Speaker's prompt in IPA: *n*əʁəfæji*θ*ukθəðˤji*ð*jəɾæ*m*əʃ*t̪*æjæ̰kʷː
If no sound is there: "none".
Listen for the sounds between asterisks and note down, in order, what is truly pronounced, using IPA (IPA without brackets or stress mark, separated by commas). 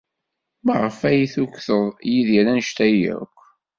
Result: m, θ, ð, n, t̪